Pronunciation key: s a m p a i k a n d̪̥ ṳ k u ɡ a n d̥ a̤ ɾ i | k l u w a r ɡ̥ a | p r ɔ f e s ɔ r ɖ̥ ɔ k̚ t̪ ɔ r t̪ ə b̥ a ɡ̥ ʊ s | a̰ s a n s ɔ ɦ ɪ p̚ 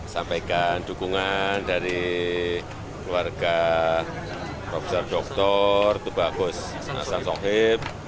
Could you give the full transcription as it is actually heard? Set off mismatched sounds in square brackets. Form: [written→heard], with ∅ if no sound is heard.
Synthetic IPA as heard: s a m p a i k a n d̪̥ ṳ k u [ɡ→ŋ] a n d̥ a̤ ɾ i | k l u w a r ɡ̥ a | p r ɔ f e s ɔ r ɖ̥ ɔ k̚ t̪ ɔ r t̪ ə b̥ a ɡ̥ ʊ s | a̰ s a n s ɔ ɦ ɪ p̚